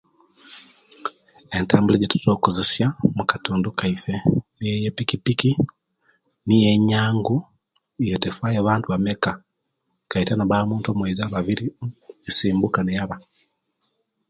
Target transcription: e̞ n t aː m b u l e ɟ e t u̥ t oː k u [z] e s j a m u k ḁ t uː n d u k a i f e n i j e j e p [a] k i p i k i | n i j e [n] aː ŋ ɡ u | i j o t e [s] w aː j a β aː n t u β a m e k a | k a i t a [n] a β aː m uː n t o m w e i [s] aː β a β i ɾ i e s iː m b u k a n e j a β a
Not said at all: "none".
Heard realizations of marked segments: z, i, ɲ, f, n, z

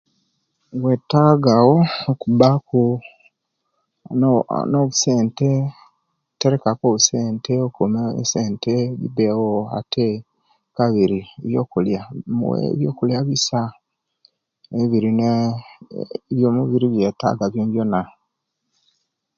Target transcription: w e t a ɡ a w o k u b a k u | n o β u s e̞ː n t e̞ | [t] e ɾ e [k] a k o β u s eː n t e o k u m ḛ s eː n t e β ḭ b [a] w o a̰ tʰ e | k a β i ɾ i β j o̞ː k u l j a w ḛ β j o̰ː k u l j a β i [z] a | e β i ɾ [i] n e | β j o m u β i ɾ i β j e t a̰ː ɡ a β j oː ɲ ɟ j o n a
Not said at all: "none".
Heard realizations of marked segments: t, k, e, s, i

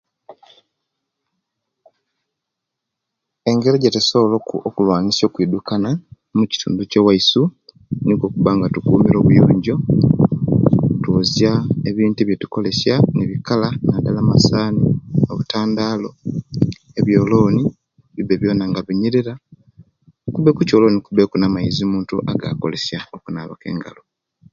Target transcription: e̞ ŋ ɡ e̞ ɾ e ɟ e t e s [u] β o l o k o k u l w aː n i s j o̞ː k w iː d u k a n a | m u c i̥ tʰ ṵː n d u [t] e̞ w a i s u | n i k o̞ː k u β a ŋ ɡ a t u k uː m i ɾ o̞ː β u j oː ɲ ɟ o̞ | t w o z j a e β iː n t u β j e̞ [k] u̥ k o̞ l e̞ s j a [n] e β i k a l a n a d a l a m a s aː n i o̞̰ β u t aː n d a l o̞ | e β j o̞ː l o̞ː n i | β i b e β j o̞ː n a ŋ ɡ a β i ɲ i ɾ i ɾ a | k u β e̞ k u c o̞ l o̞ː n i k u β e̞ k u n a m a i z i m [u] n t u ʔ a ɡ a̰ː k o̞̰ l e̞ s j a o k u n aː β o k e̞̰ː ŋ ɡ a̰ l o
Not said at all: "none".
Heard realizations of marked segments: o, c, t, n, uː

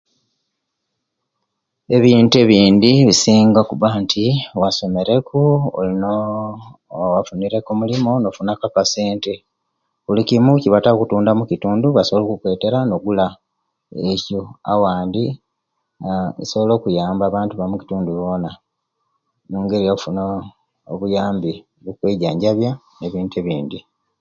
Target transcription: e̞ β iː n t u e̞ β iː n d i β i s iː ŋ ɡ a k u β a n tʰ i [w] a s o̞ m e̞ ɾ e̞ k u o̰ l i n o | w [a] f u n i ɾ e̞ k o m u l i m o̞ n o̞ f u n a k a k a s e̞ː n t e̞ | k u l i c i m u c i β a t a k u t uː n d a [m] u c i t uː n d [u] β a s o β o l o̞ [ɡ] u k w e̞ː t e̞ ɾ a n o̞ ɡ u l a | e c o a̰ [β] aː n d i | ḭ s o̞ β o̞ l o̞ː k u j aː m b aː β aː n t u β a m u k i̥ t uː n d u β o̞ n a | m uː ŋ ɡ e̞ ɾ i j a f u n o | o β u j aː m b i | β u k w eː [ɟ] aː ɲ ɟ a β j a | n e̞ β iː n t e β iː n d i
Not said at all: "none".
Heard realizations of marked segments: w, a, m, u, k, w, ɟ

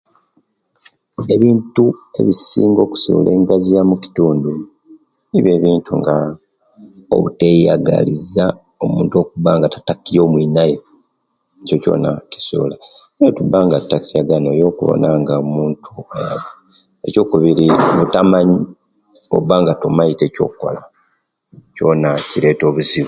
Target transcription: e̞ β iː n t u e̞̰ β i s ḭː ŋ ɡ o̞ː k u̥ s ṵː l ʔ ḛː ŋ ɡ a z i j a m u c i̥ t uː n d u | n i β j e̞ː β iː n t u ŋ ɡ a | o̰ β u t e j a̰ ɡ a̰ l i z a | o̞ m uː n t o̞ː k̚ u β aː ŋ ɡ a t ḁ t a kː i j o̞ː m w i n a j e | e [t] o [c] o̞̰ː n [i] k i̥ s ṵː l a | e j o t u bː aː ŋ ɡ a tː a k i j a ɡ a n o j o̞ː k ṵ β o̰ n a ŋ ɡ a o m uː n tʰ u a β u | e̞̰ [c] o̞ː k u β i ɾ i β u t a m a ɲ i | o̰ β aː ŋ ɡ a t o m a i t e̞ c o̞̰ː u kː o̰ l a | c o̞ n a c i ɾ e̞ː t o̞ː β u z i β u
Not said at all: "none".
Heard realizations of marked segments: c, c, a, c

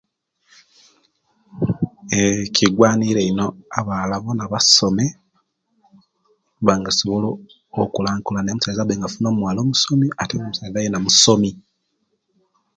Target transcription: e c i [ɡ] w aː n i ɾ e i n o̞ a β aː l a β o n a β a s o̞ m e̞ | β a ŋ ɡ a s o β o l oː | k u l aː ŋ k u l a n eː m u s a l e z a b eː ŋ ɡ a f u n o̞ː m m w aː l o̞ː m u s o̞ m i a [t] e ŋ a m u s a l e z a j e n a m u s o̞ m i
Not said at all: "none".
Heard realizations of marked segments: ɡ, t

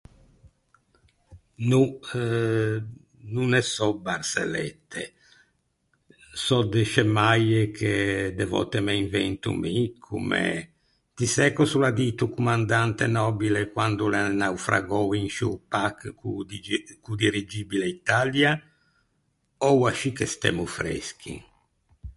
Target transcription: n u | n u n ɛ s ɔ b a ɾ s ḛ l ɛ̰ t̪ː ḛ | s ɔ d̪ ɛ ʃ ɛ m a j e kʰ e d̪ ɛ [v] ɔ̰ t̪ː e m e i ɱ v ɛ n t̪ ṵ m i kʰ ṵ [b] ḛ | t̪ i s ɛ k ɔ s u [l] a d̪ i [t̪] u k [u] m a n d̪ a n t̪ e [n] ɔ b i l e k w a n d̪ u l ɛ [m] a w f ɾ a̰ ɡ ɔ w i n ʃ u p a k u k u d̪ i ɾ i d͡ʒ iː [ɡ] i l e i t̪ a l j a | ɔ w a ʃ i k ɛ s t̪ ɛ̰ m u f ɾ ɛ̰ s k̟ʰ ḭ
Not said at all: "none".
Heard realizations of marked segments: v, m, l, t̪, u, n, n, b

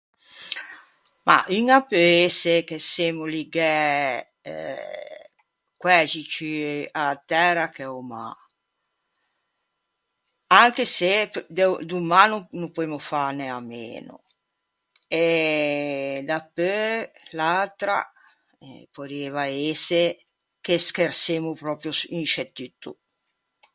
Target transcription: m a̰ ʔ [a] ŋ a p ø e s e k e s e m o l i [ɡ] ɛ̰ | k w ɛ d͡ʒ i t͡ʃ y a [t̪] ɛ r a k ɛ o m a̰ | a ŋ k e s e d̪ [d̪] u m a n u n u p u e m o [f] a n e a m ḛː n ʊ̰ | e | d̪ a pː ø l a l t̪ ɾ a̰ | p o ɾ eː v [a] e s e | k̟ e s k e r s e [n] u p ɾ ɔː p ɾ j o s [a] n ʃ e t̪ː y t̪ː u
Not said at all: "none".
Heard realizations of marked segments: i, ɡ, t̪, d̪, f, a, m, i

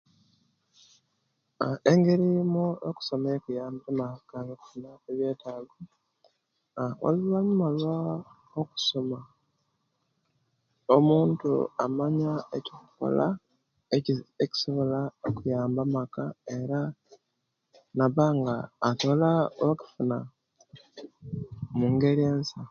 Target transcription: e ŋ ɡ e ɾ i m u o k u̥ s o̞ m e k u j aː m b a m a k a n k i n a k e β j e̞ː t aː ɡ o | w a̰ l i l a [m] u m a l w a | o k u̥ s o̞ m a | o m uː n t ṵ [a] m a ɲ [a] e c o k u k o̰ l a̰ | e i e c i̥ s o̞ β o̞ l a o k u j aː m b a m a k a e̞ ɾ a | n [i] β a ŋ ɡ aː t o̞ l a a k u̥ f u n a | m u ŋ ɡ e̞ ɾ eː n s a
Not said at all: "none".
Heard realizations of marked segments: ɲ, a, a, a

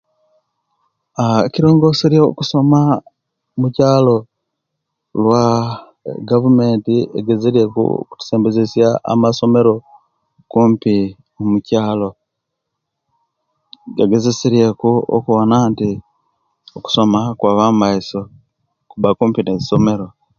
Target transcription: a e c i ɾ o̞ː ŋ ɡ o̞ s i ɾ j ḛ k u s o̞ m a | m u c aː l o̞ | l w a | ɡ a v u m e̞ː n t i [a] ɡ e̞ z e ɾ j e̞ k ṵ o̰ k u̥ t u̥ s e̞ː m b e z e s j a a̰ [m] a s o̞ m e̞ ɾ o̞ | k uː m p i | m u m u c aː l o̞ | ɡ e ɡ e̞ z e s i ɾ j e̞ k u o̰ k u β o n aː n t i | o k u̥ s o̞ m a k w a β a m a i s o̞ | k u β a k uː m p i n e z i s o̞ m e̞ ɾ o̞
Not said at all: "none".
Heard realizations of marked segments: e, m

